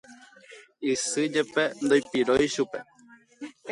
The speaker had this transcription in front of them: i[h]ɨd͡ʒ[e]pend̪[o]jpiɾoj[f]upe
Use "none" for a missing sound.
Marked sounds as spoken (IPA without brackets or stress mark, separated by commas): s, e, o, ʃ